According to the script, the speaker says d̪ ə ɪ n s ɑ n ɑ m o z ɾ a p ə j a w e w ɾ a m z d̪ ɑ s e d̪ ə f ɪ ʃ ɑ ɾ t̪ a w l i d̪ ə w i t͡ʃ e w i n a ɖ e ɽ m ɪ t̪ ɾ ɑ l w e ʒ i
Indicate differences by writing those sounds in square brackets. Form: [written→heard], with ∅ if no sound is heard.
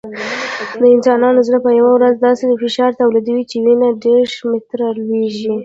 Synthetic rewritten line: d̪ ə ɪ n s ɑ n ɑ [m→n] o z ɾ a p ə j a w [e→a] w ɾ a [m→∅] z d̪ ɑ s e d̪ ə f ɪ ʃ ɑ ɾ t̪ a w l i d̪ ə w i t͡ʃ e w i n a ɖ e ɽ m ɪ t̪ ɾ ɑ l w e ʒ i